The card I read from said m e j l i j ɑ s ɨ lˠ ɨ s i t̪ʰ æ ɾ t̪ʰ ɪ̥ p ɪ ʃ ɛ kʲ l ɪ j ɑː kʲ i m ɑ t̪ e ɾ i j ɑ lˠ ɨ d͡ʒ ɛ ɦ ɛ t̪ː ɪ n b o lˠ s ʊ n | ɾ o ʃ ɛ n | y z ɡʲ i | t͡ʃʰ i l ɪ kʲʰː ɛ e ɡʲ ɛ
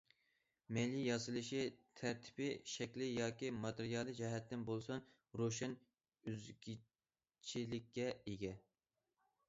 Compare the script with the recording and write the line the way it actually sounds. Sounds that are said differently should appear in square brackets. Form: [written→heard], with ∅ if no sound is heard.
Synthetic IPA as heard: m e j l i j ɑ s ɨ lˠ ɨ [s→ʃ] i t̪ʰ æ ɾ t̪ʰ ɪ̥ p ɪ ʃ ɛ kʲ l ɪ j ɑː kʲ i m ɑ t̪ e ɾ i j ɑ lˠ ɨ d͡ʒ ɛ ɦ ɛ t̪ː ɪ n b o lˠ s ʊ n | ɾ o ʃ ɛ n | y z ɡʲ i | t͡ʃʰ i l ɪ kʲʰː ɛ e ɡʲ ɛ